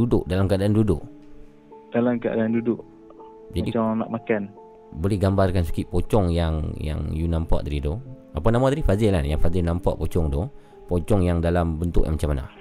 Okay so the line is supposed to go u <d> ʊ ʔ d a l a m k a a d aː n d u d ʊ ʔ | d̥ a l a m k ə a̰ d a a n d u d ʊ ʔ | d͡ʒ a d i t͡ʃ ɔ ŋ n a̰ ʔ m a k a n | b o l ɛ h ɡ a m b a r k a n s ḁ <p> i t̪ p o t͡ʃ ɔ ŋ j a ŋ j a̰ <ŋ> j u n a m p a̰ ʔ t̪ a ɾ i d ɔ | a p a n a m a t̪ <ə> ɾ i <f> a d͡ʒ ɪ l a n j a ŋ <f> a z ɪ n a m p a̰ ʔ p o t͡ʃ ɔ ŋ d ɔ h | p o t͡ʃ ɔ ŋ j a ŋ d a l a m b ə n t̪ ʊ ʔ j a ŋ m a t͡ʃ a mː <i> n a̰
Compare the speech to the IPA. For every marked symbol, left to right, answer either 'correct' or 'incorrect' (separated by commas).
correct, incorrect, correct, incorrect, correct, correct, incorrect